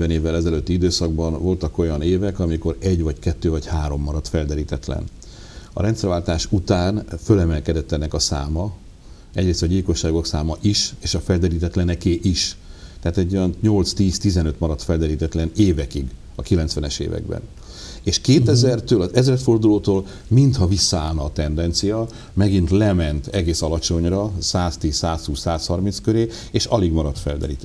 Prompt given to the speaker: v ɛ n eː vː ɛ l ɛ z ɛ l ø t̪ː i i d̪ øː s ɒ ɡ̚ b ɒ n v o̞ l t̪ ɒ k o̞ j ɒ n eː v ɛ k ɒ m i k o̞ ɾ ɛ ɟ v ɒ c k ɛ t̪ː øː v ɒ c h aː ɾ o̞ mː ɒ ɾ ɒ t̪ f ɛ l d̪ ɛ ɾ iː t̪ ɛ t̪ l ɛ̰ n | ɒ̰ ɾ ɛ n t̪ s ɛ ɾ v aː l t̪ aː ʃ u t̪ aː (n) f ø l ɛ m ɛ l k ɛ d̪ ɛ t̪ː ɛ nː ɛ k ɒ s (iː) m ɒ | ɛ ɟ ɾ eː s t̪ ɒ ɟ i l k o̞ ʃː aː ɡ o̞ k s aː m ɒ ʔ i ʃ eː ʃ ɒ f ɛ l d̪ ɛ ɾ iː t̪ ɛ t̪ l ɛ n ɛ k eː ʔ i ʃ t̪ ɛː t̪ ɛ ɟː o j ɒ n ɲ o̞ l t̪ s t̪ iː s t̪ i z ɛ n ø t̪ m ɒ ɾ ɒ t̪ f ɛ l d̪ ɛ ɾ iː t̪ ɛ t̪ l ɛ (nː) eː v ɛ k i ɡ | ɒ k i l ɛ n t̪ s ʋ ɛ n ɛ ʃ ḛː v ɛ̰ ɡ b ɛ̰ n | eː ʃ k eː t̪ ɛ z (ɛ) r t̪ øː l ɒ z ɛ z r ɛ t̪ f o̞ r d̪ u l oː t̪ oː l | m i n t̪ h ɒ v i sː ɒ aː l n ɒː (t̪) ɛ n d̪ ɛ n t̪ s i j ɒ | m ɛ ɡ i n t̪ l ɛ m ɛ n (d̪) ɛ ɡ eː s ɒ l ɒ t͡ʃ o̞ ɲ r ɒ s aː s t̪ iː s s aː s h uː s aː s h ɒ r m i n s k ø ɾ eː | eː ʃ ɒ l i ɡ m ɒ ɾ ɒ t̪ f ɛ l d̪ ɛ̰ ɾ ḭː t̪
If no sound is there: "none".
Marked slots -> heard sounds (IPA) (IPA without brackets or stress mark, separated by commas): n, aː, n, ɛ, t̪, t̪